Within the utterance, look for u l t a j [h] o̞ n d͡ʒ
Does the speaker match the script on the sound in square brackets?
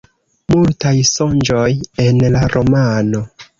no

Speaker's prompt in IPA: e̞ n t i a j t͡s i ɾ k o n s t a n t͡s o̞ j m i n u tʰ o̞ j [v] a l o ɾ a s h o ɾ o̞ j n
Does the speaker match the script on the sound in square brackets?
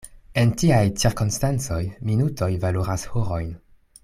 yes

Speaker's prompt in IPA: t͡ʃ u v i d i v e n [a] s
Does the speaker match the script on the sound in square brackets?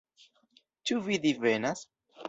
yes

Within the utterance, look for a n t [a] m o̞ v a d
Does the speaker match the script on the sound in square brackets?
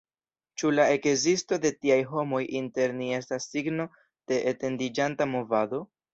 yes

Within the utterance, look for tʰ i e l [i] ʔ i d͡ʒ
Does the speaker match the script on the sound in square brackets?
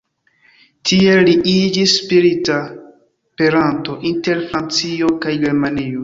yes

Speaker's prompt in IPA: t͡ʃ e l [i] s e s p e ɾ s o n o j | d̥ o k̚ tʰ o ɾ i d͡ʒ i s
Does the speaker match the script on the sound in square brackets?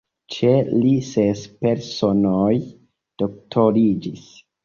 yes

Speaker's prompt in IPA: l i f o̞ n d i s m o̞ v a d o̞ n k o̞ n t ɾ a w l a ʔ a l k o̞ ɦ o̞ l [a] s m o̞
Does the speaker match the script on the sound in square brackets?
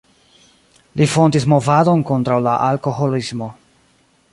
no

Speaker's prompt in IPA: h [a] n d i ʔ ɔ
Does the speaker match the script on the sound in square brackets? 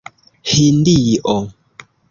no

